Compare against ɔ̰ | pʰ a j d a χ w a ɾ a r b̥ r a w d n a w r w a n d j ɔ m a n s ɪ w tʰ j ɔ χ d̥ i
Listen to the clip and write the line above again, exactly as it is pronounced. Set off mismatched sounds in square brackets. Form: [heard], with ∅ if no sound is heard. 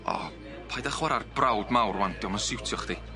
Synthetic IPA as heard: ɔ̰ | pʰ a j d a χ w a ɾ a r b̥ r a w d [m] a w r w a n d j ɔ m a n s ɪ w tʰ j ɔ χ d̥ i